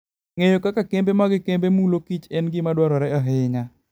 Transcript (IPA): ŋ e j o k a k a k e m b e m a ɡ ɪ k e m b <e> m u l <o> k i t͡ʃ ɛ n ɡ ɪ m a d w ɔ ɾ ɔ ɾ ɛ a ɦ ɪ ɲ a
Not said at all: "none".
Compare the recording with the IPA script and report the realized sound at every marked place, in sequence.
e, o

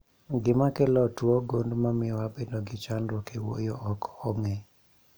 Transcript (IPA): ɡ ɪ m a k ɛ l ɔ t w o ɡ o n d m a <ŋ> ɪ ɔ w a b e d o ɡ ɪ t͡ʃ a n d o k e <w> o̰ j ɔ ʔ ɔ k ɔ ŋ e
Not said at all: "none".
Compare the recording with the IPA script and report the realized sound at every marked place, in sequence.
m, w

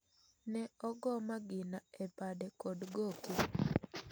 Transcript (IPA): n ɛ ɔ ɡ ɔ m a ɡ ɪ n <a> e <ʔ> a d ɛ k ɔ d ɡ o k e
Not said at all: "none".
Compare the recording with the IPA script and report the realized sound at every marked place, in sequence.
a, p

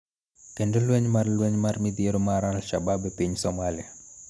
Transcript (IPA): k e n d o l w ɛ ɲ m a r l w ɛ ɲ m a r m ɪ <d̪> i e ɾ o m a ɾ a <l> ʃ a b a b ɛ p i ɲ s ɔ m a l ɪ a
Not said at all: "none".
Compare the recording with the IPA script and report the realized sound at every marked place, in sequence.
d̪, l

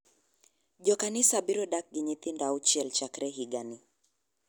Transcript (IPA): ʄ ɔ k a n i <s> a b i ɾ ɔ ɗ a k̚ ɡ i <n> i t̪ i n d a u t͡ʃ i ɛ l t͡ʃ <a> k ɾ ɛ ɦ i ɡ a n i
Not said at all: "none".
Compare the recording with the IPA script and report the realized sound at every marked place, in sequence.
s, ɲ, a

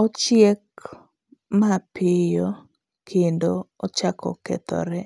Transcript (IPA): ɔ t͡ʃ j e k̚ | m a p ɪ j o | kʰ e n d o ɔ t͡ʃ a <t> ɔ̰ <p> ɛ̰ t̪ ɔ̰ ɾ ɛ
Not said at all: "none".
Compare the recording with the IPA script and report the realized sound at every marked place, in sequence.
k, k

